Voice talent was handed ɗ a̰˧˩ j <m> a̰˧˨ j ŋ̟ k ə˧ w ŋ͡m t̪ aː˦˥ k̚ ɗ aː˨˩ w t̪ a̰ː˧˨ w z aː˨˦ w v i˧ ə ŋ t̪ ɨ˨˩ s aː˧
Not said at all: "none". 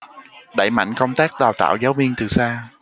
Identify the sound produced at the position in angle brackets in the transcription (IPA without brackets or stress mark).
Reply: m